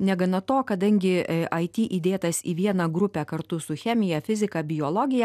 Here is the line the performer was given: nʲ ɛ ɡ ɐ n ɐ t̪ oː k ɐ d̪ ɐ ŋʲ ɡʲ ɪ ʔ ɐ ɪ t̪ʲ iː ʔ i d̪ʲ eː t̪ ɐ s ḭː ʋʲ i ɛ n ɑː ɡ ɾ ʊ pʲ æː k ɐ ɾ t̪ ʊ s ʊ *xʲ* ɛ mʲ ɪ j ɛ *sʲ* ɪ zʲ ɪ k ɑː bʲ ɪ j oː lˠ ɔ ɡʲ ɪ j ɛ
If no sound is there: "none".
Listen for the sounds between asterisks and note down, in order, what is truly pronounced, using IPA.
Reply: xʲ, fʲ

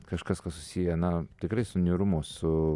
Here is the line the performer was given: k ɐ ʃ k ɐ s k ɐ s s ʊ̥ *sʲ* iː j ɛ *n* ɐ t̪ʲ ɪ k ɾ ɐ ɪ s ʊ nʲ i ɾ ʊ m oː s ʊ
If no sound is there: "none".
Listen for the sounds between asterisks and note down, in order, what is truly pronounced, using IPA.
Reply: sʲ, n

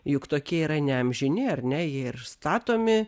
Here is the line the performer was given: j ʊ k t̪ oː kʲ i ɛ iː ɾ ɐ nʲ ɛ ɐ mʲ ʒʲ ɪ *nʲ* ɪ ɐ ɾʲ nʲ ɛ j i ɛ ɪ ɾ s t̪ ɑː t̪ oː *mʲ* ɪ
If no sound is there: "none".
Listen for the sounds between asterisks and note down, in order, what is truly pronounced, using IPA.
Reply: nʲ, mʲ

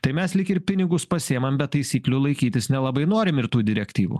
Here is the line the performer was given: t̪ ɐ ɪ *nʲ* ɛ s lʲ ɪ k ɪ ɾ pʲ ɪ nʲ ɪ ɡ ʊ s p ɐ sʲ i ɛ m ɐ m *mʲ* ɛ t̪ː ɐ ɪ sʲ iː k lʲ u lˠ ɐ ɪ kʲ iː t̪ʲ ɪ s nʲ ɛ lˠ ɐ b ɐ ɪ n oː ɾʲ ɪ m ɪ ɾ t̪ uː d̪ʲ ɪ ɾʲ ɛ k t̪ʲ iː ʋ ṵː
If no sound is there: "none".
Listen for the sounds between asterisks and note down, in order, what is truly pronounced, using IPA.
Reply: mʲ, bʲ

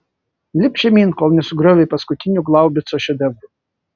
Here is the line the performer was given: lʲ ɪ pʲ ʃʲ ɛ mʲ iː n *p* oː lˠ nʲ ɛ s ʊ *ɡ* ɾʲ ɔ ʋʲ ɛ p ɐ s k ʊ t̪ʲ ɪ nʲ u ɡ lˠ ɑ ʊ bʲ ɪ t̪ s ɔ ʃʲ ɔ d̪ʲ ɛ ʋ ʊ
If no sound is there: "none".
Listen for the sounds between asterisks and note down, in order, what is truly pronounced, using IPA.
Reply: k, ɡ

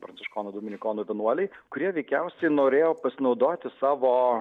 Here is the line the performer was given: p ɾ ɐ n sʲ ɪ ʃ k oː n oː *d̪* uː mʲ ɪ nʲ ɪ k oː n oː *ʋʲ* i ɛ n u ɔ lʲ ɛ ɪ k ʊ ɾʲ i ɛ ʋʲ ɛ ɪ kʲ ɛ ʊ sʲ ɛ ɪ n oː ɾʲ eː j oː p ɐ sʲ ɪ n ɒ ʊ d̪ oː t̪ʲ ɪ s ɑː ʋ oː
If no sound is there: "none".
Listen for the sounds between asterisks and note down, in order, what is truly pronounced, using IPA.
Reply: d̪, ʋʲ

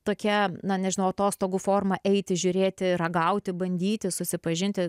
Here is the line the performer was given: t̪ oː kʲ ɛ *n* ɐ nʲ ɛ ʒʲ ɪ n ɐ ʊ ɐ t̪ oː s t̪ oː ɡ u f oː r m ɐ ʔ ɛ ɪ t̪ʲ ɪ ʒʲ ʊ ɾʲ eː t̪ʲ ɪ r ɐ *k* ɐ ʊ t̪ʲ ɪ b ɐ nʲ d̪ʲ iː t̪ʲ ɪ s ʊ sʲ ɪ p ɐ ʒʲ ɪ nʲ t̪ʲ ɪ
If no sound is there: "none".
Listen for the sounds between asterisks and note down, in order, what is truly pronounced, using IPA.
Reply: n, ɡ

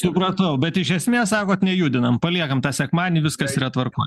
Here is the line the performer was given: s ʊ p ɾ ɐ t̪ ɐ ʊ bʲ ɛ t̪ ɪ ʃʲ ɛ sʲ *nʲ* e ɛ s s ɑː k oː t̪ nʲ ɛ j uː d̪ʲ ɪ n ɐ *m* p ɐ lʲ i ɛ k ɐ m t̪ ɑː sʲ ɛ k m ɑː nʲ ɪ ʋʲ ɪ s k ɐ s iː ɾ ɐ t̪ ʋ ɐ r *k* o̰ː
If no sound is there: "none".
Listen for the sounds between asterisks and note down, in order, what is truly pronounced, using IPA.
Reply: mʲ, m, k

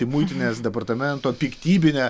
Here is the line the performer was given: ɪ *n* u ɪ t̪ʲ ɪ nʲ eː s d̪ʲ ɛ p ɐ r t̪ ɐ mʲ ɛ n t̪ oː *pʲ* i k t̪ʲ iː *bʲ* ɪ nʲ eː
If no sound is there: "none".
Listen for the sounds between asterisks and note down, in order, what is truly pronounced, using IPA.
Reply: m, pʲ, bʲ

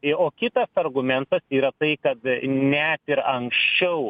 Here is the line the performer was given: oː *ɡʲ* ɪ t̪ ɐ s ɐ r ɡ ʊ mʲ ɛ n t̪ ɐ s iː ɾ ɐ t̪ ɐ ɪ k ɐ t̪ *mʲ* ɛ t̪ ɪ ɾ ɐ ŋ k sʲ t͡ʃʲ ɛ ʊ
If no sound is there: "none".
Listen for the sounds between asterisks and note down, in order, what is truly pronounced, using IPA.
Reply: kʲ, nʲ

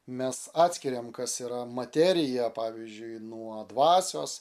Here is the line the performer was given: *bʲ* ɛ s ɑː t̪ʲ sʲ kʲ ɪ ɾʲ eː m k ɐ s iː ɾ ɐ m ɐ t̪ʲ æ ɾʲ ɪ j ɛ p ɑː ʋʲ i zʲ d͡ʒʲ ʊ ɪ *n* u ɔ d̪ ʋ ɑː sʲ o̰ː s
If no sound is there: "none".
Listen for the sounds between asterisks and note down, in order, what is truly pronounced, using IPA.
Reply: mʲ, n

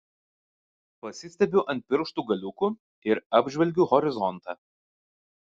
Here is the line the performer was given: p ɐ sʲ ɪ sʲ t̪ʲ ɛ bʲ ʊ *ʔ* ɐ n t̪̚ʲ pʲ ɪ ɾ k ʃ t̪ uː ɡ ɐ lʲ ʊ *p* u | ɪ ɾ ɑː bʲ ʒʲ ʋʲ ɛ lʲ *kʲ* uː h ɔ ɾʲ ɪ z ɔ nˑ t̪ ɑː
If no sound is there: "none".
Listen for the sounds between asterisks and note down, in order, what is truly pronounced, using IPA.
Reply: ʔ, k, ɡʲ

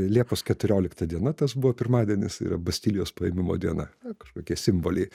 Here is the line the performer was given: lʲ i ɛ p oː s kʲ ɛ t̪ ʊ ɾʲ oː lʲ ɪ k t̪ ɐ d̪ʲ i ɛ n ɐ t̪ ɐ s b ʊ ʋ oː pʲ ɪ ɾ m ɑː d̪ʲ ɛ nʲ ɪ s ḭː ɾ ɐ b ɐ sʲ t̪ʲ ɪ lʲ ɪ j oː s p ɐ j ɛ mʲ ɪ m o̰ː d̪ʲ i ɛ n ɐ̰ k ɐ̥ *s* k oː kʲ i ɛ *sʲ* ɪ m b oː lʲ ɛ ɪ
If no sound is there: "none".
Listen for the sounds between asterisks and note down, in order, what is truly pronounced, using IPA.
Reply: ʃ, sʲ

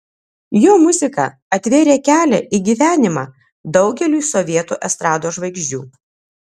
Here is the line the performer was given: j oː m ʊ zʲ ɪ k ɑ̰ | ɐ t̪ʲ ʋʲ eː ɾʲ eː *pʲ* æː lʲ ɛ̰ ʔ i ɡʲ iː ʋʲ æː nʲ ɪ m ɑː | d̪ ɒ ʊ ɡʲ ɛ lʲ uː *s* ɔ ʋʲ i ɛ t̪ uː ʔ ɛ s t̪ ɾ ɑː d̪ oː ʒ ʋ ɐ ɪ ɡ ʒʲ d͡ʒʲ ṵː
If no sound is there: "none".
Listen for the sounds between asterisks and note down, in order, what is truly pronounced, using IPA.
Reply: kʲ, s

